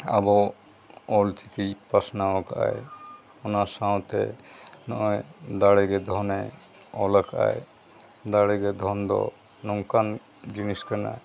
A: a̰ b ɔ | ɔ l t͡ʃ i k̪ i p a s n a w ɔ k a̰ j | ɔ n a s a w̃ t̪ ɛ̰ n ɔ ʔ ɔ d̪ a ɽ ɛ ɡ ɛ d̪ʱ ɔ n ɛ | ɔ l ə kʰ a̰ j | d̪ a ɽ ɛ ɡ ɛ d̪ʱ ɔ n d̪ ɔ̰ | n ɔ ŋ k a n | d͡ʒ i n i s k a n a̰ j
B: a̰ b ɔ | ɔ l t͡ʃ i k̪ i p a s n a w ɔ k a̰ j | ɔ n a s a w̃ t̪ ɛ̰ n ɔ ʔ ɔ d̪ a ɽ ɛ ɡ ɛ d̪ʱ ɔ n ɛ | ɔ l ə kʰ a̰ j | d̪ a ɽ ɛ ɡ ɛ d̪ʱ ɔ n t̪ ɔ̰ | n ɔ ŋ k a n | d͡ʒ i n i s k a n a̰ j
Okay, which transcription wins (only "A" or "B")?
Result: A